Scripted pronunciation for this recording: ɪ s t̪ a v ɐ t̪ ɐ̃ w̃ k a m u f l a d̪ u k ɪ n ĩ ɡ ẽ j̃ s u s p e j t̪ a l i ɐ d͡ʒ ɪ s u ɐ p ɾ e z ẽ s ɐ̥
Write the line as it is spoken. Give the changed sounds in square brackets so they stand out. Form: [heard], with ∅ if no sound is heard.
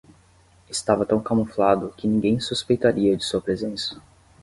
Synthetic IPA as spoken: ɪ s t̪ a v ɐ t̪ ɐ̃ w̃ k a m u f l a d̪ [ʊ] k ɪ n ĩ ɡ ẽ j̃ s u s p e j t̪ a [ɾ] i ɐ d͡ʒ ɪ s u ɐ p ɾ e z ẽ s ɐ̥